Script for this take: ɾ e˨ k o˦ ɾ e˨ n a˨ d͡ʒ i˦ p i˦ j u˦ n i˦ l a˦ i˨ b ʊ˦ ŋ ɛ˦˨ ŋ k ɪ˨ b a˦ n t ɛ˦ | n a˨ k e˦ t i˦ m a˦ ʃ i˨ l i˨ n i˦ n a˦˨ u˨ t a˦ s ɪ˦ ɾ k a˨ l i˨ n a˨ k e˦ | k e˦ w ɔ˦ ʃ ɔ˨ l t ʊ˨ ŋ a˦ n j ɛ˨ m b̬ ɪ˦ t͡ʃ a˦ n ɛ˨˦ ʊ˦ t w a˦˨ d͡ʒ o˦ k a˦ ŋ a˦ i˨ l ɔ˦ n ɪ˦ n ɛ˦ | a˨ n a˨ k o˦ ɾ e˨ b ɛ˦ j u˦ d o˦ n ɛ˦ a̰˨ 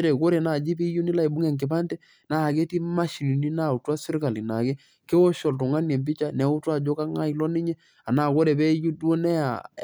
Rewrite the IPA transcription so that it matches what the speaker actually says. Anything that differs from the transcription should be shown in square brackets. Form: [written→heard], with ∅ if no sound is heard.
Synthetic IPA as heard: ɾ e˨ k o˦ ɾ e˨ n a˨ d͡ʒ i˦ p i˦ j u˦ n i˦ l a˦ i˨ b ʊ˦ ŋ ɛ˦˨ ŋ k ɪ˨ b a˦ n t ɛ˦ | n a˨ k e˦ t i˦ m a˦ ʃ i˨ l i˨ n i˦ n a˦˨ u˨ t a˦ s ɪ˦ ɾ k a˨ l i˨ n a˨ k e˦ | k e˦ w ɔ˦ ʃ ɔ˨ l t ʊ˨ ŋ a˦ n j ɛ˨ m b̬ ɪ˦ t͡ʃ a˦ n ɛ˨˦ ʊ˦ t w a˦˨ d͡ʒ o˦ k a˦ ŋ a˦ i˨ l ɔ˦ n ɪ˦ [n→ɲ] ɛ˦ | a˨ n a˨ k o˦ ɾ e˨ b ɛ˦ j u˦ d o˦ n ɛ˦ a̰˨